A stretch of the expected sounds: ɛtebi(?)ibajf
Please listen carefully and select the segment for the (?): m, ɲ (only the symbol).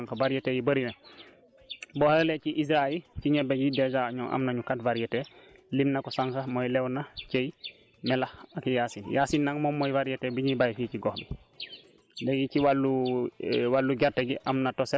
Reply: ɲ